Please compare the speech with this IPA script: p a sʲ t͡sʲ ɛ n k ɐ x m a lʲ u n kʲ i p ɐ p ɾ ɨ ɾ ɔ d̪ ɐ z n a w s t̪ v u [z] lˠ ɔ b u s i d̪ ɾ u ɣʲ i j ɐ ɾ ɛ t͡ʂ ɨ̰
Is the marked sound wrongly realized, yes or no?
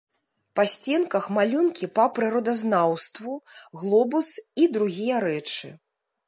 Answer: yes